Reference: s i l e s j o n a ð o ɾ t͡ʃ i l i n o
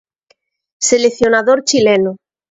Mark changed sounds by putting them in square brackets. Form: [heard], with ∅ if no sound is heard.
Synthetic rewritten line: s [e] l e [θ] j o n a ð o ɾ t͡ʃ i l [e] n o